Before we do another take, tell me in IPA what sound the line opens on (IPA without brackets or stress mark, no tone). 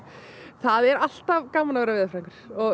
θ